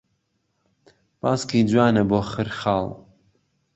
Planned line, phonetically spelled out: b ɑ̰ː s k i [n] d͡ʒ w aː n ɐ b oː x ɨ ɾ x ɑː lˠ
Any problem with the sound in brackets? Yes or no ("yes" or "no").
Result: yes